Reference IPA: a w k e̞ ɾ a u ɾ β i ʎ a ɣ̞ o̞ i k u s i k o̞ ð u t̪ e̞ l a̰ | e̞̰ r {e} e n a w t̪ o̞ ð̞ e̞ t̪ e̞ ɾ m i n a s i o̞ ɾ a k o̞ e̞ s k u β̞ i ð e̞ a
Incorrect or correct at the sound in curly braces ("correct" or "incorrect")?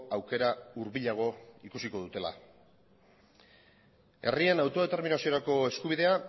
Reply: incorrect